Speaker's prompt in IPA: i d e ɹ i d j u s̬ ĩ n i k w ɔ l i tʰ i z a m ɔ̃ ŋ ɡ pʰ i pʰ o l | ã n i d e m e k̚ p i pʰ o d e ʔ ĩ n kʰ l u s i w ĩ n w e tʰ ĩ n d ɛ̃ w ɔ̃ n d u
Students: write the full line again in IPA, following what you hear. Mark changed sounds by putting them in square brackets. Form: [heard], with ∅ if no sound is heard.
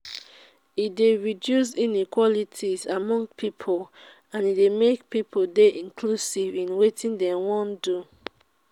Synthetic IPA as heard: i d e ɹ i d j u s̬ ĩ n i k w ɔ l i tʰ i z a m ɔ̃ ŋ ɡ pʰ i pʰ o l | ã n i d e m e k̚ p i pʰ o d e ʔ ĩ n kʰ l u s i [v] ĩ n w e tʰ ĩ n d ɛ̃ w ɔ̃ n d u